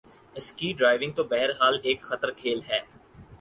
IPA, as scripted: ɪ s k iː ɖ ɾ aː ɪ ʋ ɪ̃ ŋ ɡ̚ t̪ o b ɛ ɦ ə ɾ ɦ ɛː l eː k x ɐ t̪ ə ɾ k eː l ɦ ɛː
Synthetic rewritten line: ɪ s k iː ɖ ɾ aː ɪ ʋ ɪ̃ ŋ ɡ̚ t̪ o b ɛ ɦ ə ɾ ɦ aː l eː k x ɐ t̪ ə ɾ kʰ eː l ɦ ɛː